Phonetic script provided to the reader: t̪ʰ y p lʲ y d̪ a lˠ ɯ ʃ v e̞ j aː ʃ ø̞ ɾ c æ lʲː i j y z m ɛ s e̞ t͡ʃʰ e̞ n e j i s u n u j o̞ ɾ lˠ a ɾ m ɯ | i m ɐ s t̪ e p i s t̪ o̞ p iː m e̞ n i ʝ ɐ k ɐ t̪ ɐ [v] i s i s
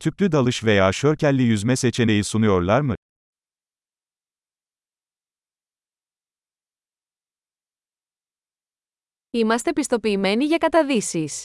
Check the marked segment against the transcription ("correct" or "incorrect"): incorrect